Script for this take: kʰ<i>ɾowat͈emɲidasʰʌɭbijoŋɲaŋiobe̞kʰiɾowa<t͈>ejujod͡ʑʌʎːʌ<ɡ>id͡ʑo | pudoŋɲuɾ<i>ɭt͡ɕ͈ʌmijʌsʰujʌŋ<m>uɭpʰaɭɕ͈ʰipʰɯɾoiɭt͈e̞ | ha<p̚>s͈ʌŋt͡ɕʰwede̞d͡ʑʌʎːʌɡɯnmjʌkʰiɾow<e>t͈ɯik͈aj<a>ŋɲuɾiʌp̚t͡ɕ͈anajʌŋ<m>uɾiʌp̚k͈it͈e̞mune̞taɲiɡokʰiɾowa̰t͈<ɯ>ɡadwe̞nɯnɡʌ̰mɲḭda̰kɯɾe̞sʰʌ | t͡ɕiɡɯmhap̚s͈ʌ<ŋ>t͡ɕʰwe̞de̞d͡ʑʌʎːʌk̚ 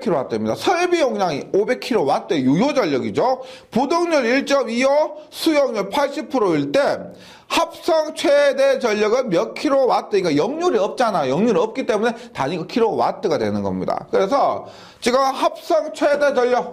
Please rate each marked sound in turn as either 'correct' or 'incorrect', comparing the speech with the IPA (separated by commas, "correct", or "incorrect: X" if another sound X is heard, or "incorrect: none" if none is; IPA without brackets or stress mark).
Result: correct, correct, correct, correct, incorrect: ɲ, correct, incorrect: a, incorrect: ʌ, incorrect: ɲ, correct, correct